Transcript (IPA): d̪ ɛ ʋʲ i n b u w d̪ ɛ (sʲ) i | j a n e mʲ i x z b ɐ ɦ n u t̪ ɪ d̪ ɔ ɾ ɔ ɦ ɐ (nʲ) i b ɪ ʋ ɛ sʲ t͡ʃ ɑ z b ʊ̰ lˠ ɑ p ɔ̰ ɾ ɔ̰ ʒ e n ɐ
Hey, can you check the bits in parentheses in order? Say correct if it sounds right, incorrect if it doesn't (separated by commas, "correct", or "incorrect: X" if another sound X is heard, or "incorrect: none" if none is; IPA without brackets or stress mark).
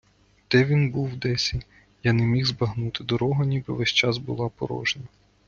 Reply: correct, correct